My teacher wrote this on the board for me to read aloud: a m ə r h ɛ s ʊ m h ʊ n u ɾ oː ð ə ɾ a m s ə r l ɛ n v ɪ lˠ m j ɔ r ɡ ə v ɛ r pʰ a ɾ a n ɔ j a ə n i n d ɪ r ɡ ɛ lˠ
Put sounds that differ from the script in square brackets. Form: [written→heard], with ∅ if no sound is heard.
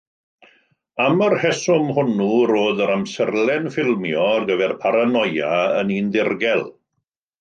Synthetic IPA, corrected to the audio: a m ə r h ɛ s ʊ m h ʊ n u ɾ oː ð ə ɾ a m s ə r l ɛ n [v→f] ɪ lˠ m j ɔ r ɡ ə v ɛ r pʰ a ɾ a n ɔ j a ə n i n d ɪ r ɡ ɛ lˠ